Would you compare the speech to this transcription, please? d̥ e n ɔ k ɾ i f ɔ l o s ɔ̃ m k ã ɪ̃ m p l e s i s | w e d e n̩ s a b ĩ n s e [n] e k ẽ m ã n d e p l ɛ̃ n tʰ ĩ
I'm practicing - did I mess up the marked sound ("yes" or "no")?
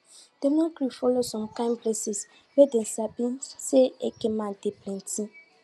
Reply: yes